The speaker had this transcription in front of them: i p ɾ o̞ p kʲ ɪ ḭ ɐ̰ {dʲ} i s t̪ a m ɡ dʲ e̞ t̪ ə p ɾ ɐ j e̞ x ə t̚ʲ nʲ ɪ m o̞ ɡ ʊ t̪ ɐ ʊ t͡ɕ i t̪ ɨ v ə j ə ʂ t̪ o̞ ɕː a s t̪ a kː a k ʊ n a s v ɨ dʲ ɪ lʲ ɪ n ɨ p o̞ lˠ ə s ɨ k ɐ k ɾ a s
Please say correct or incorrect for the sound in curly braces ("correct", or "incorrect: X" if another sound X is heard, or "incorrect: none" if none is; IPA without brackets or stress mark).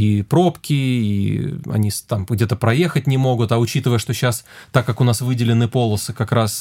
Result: incorrect: nʲ